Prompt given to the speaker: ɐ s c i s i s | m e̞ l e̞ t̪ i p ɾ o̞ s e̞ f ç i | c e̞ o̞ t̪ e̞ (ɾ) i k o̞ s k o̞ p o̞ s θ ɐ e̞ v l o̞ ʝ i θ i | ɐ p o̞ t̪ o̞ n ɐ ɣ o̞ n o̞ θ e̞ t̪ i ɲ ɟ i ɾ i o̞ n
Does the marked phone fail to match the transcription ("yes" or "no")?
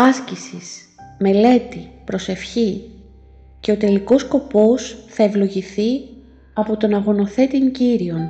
yes